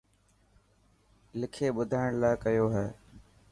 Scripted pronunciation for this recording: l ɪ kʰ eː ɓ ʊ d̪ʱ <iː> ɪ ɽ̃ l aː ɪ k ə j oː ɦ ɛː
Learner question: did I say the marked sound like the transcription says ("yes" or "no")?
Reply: no